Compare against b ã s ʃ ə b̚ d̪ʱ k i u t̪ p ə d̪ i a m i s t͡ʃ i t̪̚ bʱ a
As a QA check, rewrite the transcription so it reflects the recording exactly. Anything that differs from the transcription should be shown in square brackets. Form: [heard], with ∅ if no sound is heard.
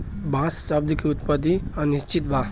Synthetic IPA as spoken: b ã s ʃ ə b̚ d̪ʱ k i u t̪ p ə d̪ i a [n] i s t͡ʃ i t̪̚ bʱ a